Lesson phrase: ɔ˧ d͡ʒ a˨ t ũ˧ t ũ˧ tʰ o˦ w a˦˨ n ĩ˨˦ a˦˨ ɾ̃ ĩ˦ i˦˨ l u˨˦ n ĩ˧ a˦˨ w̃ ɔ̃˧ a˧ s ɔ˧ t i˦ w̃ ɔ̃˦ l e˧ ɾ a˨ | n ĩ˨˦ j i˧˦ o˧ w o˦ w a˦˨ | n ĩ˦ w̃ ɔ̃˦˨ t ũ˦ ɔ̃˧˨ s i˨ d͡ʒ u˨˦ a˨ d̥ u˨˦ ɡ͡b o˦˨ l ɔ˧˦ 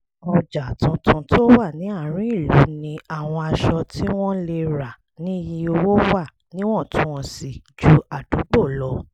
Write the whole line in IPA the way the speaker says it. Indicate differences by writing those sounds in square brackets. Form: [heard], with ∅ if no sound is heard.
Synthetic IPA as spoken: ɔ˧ d͡ʒ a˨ t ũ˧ t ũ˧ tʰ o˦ w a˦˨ n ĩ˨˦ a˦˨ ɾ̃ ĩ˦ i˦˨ l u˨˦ n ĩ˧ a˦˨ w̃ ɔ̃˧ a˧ [ʃ] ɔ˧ t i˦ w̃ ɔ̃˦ l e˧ ɾ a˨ | n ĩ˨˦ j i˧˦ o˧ w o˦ w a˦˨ | n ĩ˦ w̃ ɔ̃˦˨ t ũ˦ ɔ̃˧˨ s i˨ d͡ʒ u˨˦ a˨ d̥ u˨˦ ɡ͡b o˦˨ l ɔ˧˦

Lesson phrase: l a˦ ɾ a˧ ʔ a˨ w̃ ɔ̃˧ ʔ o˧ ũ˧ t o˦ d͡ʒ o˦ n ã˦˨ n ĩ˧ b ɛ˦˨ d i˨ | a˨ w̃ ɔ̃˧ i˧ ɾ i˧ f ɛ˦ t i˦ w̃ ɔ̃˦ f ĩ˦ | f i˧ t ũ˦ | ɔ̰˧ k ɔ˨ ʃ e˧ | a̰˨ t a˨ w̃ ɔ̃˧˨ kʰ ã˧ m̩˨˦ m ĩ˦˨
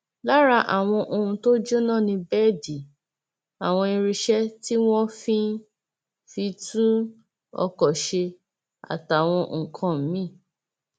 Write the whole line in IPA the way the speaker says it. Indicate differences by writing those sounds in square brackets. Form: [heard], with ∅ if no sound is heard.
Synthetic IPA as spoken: l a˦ ɾ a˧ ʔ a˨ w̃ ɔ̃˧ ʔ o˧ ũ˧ t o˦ d͡ʒ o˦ n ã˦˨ n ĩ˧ b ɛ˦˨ d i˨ | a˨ w̃ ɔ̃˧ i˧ ɾ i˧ [ʃ] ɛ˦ t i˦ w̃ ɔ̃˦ f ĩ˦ | f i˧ t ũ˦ | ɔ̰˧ k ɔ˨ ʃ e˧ | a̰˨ t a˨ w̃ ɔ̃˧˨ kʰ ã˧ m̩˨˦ m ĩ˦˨

